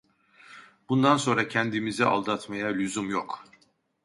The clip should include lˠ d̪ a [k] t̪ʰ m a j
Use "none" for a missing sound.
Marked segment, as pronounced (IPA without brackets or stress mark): none